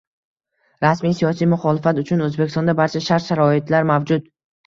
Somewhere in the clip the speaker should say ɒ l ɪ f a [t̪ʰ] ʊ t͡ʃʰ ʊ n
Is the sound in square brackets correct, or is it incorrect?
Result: incorrect